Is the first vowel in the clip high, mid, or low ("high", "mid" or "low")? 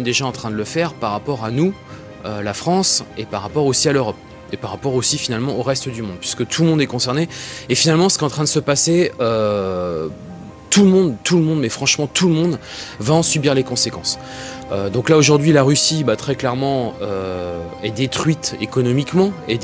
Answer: mid